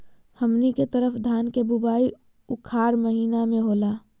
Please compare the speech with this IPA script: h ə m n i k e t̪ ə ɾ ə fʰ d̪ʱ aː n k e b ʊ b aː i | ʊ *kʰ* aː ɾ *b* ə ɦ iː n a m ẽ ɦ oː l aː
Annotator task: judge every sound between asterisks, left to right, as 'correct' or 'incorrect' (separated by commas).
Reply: correct, incorrect